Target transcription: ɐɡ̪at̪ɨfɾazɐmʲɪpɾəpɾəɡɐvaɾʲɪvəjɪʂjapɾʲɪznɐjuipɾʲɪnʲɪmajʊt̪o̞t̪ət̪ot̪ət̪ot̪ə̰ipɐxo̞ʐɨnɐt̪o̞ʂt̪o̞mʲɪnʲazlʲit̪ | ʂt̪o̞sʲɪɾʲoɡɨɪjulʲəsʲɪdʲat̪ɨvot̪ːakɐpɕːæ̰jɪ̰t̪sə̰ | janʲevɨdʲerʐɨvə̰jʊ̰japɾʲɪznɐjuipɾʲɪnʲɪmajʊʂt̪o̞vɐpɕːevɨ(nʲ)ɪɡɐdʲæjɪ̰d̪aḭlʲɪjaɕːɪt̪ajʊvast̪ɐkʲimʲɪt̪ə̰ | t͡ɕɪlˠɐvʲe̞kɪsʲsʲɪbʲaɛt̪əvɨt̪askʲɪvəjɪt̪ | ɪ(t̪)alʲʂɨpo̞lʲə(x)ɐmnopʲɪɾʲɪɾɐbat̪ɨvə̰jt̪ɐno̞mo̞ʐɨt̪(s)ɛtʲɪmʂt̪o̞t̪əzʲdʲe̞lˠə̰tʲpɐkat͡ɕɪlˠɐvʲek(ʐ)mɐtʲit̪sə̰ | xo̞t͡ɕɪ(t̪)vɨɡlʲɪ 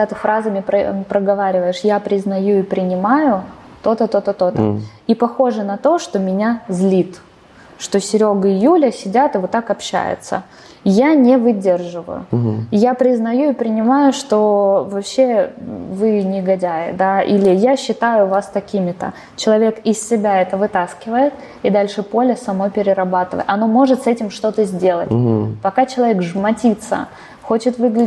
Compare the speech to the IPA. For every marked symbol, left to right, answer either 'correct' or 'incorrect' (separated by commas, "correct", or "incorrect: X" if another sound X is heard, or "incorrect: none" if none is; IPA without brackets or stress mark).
correct, incorrect: d̪, incorrect: s, correct, correct, correct